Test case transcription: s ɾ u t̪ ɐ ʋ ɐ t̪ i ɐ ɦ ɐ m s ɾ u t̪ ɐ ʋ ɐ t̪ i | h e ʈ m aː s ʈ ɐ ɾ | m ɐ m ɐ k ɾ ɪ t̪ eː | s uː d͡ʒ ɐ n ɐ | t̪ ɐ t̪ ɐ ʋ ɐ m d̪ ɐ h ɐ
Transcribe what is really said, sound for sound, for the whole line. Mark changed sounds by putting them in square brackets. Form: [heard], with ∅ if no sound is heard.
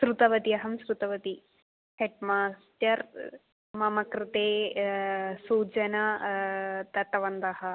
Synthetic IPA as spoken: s ɾ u t̪ ɐ ʋ ɐ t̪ i ɐ ɦ ɐ m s ɾ u t̪ ɐ ʋ ɐ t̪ i | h e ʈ m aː s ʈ ɐ ɾ | m ɐ m ɐ k ɾ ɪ t̪ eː | s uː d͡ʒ ɐ n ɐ | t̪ ɐ t̪ ɐ ʋ ɐ [n] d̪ ɐ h ɐ